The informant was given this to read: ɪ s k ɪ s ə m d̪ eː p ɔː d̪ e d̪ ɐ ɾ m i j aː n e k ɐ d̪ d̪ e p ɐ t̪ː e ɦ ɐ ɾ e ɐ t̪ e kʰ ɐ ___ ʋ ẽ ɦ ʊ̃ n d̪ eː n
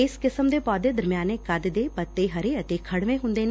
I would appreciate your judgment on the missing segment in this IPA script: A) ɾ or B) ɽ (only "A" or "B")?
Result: B